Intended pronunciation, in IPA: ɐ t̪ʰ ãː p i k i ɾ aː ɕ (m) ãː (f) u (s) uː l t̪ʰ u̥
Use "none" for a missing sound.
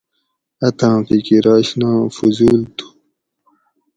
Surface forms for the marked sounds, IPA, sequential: n, f, z

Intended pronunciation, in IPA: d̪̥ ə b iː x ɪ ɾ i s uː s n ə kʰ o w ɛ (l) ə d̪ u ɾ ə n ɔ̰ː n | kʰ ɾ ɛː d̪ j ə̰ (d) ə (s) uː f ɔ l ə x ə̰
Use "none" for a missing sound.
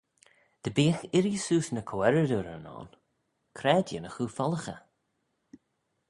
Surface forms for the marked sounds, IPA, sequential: ɾ, n, x

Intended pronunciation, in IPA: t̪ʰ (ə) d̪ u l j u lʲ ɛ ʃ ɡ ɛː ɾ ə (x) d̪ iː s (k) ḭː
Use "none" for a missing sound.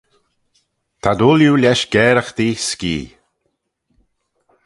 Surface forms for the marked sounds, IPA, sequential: a, x, k

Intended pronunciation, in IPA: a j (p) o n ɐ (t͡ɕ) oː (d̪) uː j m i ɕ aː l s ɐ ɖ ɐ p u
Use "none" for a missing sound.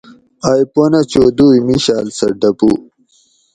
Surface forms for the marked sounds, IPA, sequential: p, t͡ɕ, d̪

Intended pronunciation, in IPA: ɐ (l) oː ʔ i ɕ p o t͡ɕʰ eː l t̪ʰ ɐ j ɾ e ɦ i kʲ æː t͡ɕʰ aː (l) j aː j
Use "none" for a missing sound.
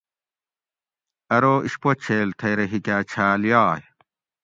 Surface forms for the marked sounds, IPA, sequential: ɾ, l

